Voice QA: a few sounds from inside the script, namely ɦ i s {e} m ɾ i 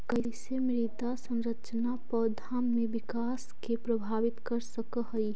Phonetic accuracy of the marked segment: correct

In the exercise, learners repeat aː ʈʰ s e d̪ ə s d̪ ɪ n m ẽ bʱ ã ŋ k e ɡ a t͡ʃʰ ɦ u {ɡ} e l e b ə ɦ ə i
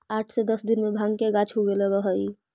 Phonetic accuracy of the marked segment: correct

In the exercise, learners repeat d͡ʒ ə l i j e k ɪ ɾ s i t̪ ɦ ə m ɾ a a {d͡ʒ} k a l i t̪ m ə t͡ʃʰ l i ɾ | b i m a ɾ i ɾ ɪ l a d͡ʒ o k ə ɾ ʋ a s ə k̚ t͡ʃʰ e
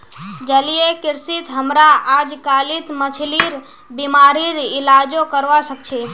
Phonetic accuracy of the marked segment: correct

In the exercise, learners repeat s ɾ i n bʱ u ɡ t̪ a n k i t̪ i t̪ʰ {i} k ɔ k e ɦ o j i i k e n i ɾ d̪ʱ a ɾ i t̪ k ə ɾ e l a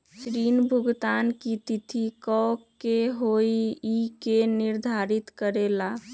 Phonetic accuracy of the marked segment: correct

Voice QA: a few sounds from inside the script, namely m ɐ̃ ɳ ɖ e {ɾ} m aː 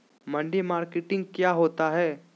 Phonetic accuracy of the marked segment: incorrect: none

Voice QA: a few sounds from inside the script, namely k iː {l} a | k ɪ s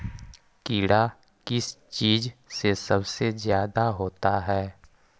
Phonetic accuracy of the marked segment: incorrect: ɽ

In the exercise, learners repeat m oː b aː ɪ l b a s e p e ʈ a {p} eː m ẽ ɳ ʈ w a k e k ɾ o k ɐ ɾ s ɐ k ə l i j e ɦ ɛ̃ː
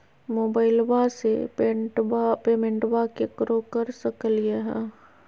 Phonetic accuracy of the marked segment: correct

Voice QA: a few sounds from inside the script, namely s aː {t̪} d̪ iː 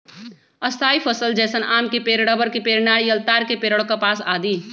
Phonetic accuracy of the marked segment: incorrect: none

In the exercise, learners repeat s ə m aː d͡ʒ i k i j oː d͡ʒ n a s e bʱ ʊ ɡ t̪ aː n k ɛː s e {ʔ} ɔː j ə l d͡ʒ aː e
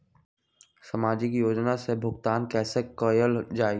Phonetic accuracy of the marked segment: incorrect: k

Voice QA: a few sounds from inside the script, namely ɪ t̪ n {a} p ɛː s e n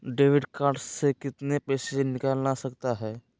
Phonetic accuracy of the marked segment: incorrect: e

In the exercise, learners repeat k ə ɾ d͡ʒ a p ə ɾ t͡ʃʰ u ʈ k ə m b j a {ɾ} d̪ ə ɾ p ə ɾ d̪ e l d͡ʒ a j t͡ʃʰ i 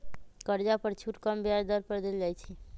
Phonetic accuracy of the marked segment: correct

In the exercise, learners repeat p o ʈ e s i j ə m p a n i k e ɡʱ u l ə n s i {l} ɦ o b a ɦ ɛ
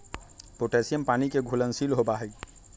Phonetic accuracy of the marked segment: correct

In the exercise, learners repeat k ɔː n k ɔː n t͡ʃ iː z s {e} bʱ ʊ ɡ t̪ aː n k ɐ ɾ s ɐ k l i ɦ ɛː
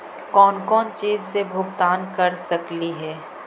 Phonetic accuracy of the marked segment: correct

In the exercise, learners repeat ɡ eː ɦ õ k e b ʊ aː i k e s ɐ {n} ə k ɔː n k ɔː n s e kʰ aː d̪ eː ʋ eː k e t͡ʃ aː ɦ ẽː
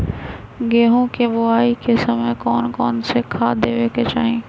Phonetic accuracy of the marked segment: incorrect: m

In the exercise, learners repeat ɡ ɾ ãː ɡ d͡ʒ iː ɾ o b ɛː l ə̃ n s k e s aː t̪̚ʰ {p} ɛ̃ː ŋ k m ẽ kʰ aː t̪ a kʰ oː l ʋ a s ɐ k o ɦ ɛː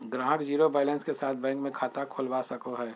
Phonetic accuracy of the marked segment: incorrect: b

